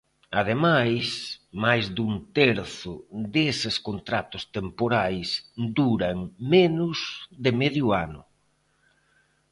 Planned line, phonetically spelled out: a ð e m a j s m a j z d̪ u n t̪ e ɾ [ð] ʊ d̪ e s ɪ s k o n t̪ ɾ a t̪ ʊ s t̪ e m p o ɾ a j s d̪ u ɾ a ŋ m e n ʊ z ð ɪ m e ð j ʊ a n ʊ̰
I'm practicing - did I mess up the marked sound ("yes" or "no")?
yes